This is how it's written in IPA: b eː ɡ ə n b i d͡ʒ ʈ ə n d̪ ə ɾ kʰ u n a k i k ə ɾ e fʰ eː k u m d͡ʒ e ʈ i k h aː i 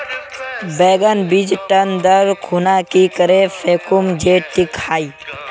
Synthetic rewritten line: b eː ɡ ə n b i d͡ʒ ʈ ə n d̪ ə ɾ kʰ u n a k i k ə ɾ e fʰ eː k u m d͡ʒ e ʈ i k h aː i